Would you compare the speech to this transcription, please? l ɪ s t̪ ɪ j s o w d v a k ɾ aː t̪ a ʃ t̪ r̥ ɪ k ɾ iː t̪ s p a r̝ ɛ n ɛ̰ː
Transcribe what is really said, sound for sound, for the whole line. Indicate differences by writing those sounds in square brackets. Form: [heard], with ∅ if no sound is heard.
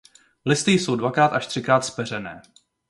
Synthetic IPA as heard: l ɪ s t̪ ɪ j s o w d v a k ɾ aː t̪ a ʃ t̪ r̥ ɪ k ɾ [aː] t̪ s p [ɛ] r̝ ɛ n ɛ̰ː